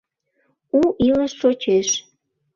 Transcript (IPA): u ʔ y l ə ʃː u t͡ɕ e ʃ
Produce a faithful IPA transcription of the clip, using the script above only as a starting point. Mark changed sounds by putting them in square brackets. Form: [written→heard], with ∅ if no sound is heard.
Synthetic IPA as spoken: u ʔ [y→i] l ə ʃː [u→o] t͡ɕ e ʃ